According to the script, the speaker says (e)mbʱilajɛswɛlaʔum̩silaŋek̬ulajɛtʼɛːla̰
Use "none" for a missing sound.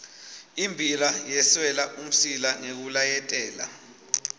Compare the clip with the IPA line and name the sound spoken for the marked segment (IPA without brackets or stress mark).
i